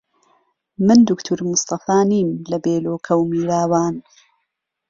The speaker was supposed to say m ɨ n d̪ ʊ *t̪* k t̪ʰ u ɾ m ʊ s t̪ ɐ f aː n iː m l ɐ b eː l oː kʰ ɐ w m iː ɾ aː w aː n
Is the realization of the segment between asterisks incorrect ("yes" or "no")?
yes